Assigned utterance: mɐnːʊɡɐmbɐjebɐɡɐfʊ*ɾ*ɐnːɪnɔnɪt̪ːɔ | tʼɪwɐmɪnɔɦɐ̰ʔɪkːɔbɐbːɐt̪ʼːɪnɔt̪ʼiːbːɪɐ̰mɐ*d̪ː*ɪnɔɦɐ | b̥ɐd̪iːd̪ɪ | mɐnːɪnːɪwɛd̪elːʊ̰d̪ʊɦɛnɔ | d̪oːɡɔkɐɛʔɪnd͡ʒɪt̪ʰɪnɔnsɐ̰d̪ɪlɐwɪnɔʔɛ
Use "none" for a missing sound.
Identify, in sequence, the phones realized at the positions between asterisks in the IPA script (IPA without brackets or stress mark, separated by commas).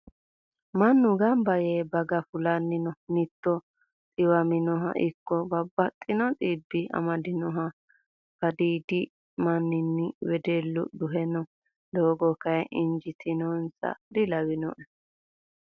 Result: l, d̪